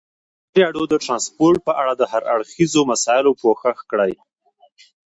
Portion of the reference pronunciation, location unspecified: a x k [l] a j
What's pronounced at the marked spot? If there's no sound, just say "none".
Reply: ɽ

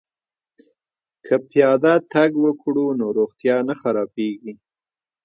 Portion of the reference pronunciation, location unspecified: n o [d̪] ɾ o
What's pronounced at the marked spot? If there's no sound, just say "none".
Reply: none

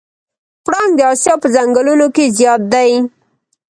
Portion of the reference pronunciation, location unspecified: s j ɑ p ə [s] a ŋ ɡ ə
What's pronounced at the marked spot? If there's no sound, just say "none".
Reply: z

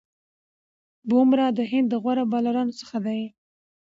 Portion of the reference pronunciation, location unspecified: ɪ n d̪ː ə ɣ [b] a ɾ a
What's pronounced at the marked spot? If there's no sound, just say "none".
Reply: w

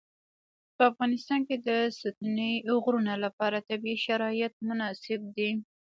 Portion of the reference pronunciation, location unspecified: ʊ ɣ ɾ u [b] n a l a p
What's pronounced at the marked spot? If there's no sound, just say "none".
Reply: none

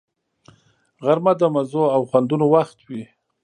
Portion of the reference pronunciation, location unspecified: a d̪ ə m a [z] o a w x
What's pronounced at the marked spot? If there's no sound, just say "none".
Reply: z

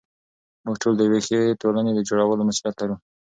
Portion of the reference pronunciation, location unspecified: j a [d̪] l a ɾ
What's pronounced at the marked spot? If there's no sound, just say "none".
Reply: t̪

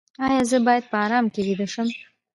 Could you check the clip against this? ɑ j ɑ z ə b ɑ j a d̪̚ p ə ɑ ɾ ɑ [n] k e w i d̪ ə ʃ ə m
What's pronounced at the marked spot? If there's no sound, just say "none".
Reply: m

